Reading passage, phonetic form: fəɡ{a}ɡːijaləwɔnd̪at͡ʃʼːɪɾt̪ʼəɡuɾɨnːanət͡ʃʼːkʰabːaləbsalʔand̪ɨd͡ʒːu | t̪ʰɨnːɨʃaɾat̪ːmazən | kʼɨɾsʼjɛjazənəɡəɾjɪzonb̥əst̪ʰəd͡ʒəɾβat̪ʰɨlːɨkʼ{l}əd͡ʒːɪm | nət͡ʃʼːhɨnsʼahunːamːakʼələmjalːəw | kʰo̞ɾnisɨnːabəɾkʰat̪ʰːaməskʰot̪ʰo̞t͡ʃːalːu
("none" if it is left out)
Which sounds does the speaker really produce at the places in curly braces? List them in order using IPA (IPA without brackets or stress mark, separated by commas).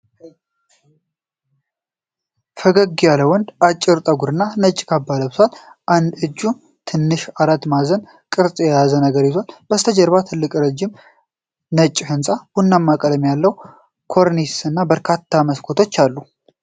ə, ɾ